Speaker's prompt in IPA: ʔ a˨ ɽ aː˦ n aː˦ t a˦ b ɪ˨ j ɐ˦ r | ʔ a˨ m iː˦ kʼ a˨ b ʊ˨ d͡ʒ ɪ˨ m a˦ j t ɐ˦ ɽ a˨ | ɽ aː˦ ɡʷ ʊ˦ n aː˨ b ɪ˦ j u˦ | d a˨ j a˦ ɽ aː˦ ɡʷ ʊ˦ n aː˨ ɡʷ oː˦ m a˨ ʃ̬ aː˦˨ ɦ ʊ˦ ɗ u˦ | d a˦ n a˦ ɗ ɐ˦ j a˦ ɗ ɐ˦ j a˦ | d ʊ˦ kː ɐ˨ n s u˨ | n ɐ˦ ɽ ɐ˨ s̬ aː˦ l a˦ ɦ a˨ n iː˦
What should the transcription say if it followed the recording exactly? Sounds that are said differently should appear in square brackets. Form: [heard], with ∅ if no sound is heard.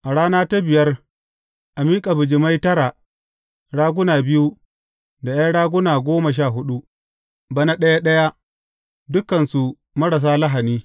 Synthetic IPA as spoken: ʔ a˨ ɽ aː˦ n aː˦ t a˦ b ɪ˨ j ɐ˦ r | ʔ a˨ m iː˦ kʼ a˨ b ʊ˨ d͡ʒ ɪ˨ m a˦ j t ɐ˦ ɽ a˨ | ɽ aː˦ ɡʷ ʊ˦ n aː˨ b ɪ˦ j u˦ | d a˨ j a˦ ɽ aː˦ ɡʷ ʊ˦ n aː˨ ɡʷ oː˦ m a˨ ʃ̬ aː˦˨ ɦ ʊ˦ ɗ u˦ | [b] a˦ n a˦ ɗ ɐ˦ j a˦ ɗ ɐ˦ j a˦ | d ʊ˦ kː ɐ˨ n s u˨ | [m] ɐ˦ ɽ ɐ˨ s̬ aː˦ l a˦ ɦ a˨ n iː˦